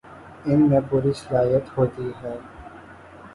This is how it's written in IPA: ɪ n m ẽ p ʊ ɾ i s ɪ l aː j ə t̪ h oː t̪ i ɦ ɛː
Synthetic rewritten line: ɪ n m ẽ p ʊ ɾ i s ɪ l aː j ə t̪ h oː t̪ i ɦ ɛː

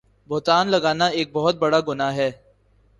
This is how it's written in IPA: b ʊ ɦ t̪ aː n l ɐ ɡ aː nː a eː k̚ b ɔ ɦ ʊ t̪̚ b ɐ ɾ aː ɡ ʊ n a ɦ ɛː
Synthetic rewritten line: b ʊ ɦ t̪ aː n l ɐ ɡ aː n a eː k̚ b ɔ ɦ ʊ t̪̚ b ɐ ɽ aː ɡ ʊ n a ɦ ɛː

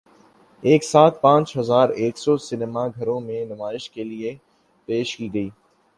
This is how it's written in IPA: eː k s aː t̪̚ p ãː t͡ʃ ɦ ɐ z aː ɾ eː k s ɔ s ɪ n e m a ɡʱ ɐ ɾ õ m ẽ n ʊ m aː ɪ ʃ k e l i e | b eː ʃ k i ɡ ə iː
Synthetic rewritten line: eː k s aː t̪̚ p ãː t͡ʃ ɦ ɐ z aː ɾ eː k s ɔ s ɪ n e m a ɡʱ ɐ ɾ õ m ẽ n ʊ m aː ɪ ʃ k e l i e | p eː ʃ k i ɡ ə iː

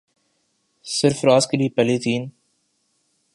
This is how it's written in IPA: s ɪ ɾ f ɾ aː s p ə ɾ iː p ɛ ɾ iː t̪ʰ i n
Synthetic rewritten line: s ɪ ɾ f ɾ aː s k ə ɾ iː p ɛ l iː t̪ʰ iː n

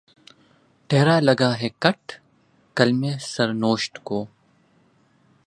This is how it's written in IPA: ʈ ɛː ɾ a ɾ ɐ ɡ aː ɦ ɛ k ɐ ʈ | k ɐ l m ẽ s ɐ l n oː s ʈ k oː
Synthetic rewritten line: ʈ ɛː ɾ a l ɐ ɡ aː ɦ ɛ k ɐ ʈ | k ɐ l m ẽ s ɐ ɾ n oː ʃ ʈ k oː

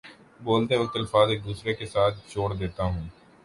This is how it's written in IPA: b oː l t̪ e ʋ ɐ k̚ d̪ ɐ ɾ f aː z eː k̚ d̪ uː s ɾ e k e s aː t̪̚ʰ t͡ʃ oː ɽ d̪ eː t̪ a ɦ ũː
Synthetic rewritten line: b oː l t̪ e ʋ ɐ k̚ t̪ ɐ l f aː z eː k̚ d̪ uː s ɾ e k e s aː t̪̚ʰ t͡ʃ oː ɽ d̪ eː t̪ a ɦ ũː

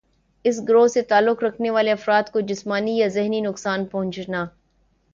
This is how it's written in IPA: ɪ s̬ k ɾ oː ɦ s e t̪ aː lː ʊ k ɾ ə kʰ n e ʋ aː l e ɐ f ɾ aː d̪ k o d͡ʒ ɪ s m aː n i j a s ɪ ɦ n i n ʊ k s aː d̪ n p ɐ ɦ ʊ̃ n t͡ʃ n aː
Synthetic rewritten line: ɪ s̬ ɡ ɾ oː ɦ s e t̪ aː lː ʊ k ɾ ɐ kʰ n e ʋ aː l e ɐ f ɾ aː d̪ k o d͡ʒ ɪ s m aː n i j a z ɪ ɦ n i n ʊ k s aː n p ɐ ɦ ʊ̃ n t͡ʃ n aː

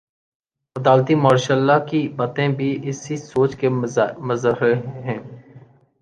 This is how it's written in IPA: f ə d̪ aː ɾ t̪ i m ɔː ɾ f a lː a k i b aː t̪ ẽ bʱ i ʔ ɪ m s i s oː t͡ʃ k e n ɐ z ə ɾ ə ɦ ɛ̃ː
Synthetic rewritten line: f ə d̪ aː l t̪ i m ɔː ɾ ʃ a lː a k i b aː t̪ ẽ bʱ i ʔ ɪ s i s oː t͡ʃ k e m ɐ z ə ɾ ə ɦ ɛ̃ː

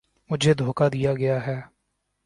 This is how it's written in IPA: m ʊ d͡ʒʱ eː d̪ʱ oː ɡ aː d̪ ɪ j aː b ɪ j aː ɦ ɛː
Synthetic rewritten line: m ʊ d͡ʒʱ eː d̪ʱ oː k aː d̪ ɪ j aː ɡ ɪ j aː ɦ ɛː

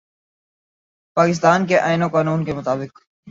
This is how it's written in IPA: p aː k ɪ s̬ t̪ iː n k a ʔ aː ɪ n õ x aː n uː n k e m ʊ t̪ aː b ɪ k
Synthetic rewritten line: p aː k ɪ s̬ t̪ aː n k e ʔ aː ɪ n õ k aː n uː n k e m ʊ t̪ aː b ɪ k

